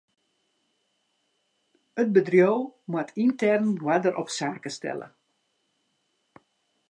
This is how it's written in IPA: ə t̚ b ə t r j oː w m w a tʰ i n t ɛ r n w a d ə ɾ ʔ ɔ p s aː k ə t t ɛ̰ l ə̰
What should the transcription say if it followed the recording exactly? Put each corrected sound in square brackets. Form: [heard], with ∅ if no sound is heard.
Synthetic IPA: ə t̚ b ə [d] r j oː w m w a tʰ i n t ɛ r n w a d ə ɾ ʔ ɔ p s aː k ə [s] t ɛ̰ l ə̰